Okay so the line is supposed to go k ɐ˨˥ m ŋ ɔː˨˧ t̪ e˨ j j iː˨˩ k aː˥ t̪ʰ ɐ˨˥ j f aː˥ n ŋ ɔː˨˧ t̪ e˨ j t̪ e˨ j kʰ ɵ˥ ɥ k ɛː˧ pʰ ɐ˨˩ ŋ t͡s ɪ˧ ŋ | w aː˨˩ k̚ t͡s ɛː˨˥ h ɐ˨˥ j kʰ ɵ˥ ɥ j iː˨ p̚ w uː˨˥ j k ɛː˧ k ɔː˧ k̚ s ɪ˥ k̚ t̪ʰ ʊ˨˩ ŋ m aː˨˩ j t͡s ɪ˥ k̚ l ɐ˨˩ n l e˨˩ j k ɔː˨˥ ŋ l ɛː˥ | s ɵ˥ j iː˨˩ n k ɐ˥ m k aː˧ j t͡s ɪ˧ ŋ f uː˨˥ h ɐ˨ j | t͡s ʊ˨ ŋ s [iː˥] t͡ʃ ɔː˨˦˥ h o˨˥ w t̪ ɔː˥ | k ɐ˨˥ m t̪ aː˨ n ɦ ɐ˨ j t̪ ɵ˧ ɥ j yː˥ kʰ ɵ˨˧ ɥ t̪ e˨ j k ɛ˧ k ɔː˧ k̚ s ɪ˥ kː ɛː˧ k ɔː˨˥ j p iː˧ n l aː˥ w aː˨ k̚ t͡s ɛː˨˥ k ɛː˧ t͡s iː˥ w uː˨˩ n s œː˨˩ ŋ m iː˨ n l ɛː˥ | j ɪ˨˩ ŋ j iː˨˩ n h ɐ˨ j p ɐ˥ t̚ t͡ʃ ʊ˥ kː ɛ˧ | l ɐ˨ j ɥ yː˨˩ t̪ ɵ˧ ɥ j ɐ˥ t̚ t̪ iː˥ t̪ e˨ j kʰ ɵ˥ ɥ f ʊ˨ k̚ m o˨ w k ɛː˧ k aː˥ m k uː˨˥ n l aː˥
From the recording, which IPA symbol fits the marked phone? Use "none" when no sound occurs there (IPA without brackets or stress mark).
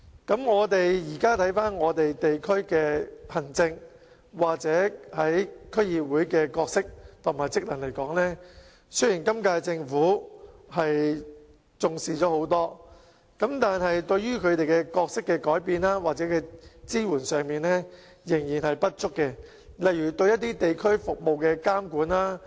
iː˨